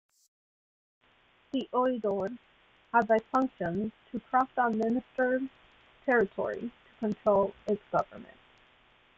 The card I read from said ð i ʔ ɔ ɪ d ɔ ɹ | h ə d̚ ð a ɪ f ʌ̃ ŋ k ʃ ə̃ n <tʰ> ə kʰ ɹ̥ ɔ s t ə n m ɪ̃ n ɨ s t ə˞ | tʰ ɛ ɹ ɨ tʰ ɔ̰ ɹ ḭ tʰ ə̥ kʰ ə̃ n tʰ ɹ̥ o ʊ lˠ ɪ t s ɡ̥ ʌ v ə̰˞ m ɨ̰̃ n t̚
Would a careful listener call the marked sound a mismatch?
no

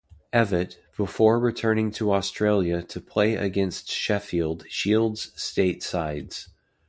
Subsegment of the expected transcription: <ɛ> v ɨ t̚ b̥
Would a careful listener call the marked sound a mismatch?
no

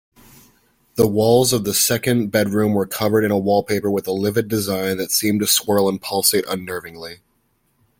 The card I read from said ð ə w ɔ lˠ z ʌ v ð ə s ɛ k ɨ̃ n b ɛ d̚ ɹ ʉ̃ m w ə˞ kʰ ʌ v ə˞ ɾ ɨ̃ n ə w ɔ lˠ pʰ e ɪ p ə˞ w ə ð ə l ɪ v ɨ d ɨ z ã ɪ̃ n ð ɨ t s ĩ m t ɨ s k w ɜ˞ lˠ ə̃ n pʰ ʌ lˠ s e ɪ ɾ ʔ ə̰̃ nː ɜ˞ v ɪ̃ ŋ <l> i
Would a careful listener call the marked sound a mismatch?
no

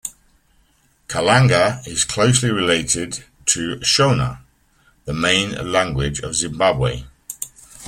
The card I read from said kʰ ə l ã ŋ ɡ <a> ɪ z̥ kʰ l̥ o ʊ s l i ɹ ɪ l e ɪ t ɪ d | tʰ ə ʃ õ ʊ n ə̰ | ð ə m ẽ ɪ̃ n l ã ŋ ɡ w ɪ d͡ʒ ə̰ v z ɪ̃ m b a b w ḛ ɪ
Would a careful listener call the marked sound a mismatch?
yes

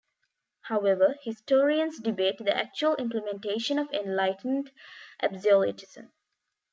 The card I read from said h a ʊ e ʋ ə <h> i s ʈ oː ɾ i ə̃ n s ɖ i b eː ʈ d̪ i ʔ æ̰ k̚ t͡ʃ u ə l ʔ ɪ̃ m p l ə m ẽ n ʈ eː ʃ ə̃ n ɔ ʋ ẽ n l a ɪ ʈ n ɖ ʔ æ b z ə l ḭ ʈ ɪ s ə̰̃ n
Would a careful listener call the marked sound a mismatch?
no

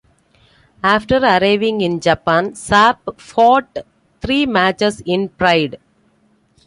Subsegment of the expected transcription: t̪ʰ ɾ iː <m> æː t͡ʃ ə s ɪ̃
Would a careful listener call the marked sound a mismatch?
no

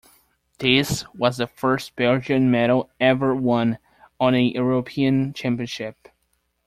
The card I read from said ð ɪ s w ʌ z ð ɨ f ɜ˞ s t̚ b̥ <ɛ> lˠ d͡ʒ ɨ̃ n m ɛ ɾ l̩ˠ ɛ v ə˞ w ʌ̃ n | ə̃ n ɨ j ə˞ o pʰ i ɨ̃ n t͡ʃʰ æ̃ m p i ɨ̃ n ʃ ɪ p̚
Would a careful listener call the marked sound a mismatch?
no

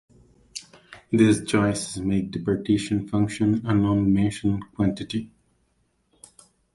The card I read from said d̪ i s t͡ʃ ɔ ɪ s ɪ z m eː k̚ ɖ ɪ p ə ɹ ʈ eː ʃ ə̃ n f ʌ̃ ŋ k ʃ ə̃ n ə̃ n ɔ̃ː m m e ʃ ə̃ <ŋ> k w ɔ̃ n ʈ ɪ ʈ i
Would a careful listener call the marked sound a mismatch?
yes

